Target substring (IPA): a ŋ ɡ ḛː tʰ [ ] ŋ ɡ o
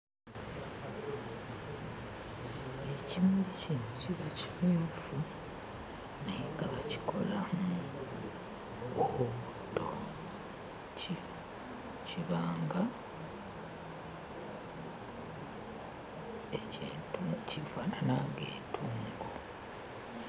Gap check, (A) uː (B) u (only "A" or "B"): A